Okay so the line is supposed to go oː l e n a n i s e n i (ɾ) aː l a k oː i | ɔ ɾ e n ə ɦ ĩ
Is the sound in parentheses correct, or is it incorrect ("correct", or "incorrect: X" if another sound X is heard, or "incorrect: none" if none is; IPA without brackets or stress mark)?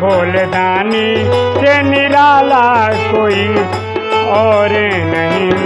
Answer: correct